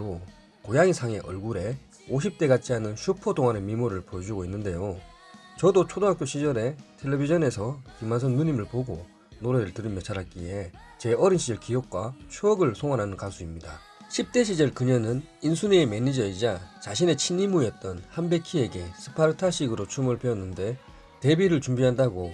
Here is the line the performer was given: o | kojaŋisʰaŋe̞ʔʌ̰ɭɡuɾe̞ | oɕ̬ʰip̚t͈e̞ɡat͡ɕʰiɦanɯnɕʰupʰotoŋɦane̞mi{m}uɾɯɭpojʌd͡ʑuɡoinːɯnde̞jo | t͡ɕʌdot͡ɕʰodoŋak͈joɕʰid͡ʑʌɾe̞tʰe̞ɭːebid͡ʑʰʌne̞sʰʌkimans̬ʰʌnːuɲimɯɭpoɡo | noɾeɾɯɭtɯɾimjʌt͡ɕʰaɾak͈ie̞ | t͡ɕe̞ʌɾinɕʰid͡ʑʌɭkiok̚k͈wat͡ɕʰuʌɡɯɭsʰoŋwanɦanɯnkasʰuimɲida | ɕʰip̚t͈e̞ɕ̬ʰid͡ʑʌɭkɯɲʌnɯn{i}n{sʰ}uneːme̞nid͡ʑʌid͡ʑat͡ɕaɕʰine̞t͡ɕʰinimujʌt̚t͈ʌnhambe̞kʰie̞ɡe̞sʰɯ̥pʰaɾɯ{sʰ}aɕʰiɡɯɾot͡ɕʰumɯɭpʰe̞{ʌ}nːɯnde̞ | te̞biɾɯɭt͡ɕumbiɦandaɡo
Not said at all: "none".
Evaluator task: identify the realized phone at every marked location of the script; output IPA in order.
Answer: m, i, sʰ, tʰ, ʌ

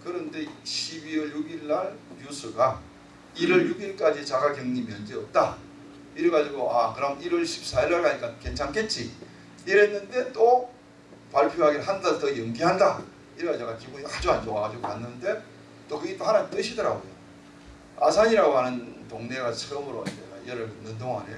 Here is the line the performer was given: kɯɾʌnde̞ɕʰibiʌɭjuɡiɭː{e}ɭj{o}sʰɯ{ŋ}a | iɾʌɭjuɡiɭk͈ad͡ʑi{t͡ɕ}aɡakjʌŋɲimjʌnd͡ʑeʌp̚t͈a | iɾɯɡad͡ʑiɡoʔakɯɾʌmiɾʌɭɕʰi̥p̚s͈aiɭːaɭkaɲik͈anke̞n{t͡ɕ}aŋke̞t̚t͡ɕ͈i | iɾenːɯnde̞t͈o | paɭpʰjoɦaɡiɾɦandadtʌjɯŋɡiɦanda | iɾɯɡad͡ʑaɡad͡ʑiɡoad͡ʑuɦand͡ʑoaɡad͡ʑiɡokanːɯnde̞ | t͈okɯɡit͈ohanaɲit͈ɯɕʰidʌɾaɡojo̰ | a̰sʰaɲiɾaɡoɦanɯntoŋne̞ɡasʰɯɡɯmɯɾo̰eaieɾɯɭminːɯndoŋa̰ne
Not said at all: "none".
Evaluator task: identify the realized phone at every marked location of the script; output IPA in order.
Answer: a, u, ɡ, t͡ɕ, t͡ɕʰ

